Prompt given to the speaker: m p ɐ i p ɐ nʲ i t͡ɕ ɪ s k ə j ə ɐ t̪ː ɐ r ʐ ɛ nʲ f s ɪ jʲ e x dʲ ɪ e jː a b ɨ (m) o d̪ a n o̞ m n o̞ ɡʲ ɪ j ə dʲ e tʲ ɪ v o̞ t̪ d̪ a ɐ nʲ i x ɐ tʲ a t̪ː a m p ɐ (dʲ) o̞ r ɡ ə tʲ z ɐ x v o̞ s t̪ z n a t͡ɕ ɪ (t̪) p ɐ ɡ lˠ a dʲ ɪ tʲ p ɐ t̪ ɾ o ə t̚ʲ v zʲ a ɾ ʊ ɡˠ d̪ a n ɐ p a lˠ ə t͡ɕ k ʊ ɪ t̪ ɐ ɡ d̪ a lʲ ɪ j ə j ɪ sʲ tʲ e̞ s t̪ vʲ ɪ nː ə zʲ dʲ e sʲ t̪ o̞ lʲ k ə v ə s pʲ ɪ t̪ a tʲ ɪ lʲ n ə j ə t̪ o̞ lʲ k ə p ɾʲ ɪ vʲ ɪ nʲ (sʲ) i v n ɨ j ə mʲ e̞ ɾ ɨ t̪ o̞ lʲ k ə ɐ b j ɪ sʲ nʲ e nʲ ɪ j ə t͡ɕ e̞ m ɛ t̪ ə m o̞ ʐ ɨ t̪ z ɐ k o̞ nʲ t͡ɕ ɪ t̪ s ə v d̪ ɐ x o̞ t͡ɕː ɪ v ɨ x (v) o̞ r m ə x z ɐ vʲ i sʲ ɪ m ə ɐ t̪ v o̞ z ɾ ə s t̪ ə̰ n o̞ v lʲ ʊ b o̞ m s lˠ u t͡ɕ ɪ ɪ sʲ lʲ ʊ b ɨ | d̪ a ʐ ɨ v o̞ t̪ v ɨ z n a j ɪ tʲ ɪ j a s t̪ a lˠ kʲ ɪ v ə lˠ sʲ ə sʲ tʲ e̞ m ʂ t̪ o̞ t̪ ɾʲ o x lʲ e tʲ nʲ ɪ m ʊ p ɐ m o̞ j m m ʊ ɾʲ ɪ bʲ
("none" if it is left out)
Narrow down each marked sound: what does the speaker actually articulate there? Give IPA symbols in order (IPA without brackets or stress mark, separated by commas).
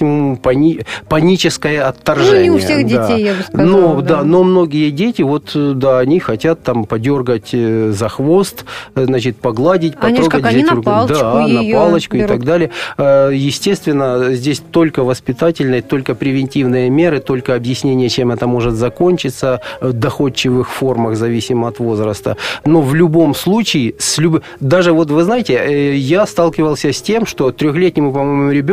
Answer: n, dʲ, t̪, tʲ, f